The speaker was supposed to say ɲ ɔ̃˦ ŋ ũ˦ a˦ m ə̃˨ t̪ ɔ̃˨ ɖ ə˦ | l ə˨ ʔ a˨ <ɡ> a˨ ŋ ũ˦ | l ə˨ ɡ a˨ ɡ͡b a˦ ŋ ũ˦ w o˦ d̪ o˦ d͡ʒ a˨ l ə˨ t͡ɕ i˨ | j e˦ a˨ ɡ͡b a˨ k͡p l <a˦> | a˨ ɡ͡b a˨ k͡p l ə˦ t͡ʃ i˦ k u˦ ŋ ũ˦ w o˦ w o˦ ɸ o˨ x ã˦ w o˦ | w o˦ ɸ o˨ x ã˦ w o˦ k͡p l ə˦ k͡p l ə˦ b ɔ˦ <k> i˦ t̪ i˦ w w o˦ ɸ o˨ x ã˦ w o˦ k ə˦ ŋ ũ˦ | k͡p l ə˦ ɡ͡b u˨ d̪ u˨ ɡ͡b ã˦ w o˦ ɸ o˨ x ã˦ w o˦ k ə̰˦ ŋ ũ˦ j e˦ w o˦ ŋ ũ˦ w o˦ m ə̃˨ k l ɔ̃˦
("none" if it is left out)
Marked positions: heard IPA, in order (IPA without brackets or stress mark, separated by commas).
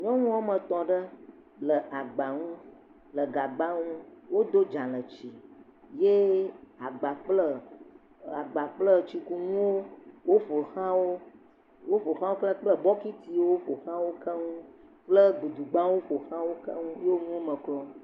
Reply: ɡ͡b, ə˦, k